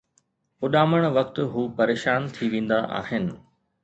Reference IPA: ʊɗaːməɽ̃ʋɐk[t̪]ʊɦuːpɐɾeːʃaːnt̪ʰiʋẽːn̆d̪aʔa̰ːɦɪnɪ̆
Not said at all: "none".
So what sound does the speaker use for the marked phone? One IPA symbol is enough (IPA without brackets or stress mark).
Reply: t̪